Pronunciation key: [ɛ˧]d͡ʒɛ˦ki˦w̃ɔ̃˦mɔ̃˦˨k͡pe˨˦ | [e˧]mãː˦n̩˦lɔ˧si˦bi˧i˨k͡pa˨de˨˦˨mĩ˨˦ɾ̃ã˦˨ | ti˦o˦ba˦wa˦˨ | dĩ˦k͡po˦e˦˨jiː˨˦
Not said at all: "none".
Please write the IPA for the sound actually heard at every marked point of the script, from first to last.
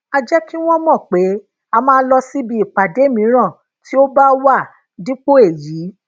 a˧, a˧

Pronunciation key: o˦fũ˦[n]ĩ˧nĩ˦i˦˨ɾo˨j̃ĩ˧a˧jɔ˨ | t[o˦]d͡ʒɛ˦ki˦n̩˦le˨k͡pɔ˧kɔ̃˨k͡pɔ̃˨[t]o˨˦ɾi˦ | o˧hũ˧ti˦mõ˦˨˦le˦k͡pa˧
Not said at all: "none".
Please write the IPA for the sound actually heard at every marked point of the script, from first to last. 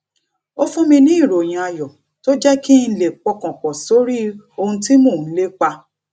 m, o˦, s

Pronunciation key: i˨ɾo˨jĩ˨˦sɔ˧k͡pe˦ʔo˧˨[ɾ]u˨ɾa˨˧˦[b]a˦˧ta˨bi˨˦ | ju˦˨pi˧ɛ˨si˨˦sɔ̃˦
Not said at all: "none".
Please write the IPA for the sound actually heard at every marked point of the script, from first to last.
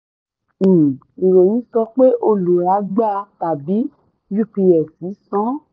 l, ɡ͡b

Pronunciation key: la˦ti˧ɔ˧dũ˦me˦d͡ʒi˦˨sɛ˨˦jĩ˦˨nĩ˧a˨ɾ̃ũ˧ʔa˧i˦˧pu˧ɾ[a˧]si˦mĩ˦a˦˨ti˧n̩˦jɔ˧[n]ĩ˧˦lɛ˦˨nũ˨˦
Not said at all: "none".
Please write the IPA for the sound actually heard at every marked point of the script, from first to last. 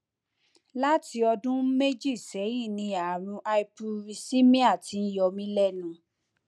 i˧, m

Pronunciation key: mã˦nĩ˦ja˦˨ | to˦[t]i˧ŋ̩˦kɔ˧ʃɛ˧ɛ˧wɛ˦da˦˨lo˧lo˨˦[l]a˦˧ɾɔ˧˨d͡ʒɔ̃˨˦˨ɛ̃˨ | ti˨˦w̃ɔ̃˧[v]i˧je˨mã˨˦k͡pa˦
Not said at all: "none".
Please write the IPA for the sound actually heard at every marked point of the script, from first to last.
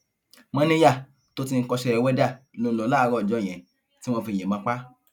t, l, f

